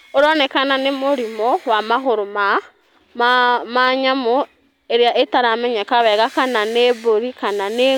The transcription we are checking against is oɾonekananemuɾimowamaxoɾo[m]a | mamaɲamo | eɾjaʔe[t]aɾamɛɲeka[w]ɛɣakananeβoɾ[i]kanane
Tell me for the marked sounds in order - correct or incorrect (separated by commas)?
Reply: correct, correct, incorrect, correct